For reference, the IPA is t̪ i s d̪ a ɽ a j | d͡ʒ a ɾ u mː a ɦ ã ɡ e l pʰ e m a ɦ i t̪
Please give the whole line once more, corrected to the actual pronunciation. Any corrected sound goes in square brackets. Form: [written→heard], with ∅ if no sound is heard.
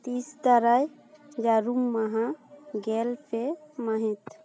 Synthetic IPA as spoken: t̪ i s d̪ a [ɽ→ɾ] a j | d͡ʒ a ɾ u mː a ɦ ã ɡ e l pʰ e m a ɦ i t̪